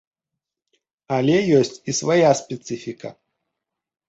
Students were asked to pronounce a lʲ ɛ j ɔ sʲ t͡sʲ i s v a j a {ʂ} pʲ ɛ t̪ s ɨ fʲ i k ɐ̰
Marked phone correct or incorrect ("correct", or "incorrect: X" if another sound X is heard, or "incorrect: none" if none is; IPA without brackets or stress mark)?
incorrect: s